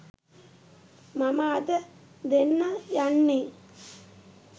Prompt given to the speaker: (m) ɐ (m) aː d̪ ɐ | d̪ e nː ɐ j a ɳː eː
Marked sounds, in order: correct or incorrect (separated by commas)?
correct, correct